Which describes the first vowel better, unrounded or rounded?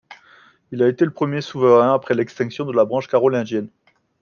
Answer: unrounded